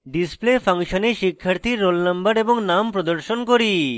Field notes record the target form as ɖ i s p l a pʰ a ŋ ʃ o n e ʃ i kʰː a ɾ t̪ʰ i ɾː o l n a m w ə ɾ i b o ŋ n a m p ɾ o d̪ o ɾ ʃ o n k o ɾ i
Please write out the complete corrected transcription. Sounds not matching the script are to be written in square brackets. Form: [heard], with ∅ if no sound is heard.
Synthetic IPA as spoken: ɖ i s p l [e] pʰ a ŋ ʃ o n e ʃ i kʰː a ɾ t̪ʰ i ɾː o l n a m [b] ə ɾ [e] b o ŋ n a m p ɾ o d̪ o ɾ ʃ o n k o ɾ i

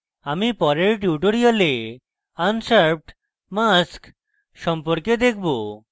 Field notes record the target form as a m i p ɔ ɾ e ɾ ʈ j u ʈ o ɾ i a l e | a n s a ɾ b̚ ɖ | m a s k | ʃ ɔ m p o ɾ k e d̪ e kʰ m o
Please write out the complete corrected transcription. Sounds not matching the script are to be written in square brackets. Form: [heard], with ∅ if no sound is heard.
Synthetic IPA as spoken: a m i p ɔ ɾ e ɾ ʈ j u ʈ o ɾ i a l e | a n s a ɾ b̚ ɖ | m a s k | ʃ ɔ m p o ɾ k e d̪ e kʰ [b] o

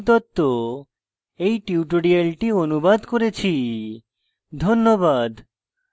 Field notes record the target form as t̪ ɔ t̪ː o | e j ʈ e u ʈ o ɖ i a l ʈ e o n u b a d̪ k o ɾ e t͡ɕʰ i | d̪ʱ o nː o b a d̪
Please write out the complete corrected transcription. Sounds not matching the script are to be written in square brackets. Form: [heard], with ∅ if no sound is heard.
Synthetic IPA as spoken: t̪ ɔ t̪ː o | e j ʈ [i] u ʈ o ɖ i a l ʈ [i] o n u b a d̪ k o ɾ e t͡ɕʰ i | d̪ʱ o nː o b a d̪

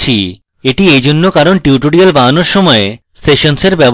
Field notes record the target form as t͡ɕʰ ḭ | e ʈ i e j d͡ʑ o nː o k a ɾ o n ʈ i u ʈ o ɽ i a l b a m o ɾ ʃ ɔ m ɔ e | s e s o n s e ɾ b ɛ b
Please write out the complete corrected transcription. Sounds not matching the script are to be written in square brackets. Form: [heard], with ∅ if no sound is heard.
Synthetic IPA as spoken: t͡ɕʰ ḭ | e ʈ i e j d͡ʑ o nː o k a ɾ o n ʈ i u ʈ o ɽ i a l b a [n] o ɾ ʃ ɔ m ɔ e | s e [ʃ] o n s e ɾ b ɛ b

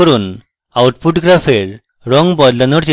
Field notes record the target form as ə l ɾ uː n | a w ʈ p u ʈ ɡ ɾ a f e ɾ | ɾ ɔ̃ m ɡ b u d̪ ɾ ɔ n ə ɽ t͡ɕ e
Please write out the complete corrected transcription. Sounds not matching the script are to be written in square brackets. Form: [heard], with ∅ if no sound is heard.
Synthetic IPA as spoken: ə [∅] ɾ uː n | a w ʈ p u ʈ ɡ ɾ a f e ɾ | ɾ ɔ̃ [ŋ] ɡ b [ɔ] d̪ [l] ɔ n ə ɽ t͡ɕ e

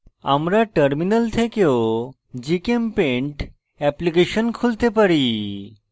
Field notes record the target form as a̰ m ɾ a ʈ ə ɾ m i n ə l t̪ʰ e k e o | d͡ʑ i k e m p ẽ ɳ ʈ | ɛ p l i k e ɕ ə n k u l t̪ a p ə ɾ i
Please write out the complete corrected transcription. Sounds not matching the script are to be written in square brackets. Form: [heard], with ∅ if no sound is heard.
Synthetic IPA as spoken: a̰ m ɾ a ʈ ə ɾ m i n ə l t̪ʰ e k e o | d͡ʑ i k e m p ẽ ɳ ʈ | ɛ p l i k e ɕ ə n [kʰ] u l t̪ [e] p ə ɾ i

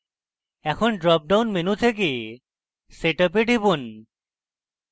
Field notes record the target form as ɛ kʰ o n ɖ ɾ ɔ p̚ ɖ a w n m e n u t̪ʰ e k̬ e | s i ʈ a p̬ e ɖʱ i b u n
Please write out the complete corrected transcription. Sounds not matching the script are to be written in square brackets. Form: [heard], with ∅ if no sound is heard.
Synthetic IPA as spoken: ɛ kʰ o n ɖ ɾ ɔ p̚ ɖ a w n m e n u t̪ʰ e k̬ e | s [e] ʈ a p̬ e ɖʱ i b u n

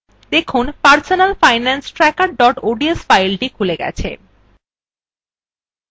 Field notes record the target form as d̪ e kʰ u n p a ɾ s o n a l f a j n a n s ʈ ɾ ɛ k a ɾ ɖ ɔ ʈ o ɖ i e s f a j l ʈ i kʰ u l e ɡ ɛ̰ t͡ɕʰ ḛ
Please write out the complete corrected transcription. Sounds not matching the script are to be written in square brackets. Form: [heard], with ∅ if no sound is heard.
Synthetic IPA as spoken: d̪ e kʰ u n p a ɾ s o n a l f a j n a n s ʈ ɾ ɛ k a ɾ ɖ ɔ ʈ o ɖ i e s f a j l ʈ i kʰ u l e ɡ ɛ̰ t͡ɕʰ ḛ

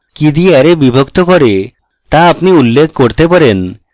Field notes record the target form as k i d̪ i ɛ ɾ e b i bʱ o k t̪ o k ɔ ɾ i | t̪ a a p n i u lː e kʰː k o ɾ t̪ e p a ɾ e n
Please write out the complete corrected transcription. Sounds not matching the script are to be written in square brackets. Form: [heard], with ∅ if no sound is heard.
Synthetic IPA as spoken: k i d̪ i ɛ ɾ e b i bʱ o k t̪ o k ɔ ɾ [e] | t̪ a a p n i u lː e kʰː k o ɾ t̪ e p a ɾ e n

